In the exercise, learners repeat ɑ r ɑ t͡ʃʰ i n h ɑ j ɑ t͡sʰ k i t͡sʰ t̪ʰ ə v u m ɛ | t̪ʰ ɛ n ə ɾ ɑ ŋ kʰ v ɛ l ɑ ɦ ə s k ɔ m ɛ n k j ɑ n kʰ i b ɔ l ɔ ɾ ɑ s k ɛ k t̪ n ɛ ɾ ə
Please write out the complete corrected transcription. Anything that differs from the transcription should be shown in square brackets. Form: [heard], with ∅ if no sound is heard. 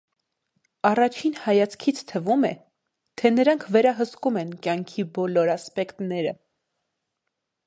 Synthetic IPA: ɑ r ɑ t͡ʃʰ i n h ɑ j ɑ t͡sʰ [kʰ] i t͡sʰ t̪ʰ ə v u m ɛ | t̪ʰ ɛ n ə ɾ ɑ ŋ kʰ v ɛ [ɾ] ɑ ɦ ə s k [u] m ɛ n k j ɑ [ŋ] kʰ i b ɔ l ɔ ɾ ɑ s [p] ɛ k t̪ n ɛ ɾ ə